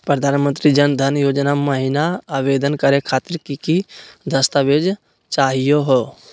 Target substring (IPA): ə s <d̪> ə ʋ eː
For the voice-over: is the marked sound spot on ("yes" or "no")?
no